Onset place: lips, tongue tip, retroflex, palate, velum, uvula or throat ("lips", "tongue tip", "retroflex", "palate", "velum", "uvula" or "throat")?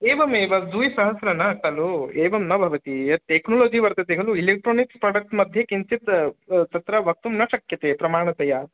lips